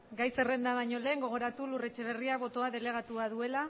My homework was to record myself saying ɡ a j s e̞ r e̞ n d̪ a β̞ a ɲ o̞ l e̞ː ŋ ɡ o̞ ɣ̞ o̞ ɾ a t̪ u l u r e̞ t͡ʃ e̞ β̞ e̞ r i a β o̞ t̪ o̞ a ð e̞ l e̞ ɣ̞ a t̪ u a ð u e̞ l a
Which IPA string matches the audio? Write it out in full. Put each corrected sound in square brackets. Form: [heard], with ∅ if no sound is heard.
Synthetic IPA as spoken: ɡ a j s e̞ r e̞ n d̪ a β̞ a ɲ o̞ l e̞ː ŋ ɡ o̞ ɣ̞ o̞ ɾ a t̪ u l u r e̞ t͡ʃ e̞ β̞ e̞ r i a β o̞ t̪ o̞ a ð e̞ l e̞ ɣ̞ a t̪ u a ð u e̞ l a